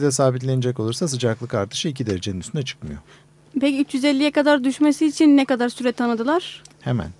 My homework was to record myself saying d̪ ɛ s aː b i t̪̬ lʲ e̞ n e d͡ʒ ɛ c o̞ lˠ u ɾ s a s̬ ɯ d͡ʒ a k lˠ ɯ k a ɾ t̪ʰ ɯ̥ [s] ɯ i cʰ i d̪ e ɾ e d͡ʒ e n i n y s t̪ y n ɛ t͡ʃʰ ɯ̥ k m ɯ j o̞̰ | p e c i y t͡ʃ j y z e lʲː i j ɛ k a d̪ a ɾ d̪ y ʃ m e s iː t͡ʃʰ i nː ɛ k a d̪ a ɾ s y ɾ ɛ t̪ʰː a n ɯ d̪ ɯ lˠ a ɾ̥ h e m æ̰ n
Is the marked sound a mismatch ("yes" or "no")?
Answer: yes